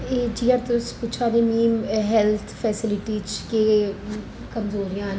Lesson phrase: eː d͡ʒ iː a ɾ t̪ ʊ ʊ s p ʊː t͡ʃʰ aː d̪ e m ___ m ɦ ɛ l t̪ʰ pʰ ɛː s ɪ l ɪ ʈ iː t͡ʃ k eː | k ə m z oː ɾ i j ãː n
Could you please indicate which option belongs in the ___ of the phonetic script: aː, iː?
iː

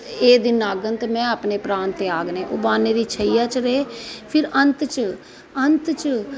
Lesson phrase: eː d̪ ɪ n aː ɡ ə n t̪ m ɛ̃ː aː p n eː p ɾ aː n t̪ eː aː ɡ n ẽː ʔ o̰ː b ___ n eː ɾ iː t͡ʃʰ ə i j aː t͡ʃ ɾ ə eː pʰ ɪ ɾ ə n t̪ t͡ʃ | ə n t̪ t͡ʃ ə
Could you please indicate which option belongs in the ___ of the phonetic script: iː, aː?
aː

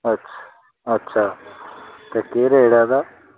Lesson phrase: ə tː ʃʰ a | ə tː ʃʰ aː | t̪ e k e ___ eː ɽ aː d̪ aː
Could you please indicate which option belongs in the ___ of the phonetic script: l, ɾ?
ɾ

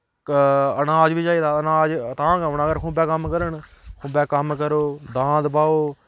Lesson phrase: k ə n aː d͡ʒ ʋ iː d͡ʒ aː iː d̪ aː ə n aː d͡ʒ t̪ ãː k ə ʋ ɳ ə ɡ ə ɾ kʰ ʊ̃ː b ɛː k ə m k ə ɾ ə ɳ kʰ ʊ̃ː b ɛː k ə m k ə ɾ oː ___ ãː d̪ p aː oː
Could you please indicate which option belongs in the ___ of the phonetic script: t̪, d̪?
d̪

